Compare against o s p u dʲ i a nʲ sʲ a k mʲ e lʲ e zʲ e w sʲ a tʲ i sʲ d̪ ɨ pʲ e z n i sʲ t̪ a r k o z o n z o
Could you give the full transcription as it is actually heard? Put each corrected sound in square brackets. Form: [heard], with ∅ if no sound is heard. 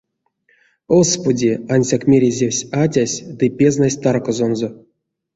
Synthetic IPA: o s p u dʲ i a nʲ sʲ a k mʲ e [ɾʲ] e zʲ e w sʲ a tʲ [a] sʲ d̪ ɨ pʲ e z n [a] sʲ t̪ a r k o z o n z o